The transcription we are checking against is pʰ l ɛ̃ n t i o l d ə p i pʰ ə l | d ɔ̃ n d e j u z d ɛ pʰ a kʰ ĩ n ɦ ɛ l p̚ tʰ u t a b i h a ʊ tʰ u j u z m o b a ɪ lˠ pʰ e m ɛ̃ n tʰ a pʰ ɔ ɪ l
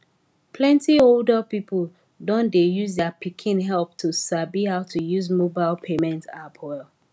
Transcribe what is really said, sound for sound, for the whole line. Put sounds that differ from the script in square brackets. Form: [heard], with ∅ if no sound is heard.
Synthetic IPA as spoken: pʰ l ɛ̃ n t i o l d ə p i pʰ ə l | d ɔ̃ n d e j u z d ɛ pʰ [i] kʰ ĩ n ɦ ɛ l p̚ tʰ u [s] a b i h a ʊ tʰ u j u z m o b a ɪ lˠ pʰ e m ɛ̃ n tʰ a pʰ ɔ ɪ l